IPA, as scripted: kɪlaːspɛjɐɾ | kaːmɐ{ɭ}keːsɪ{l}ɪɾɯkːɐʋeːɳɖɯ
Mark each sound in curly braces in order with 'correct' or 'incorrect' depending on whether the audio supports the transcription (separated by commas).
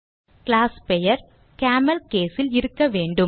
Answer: incorrect, correct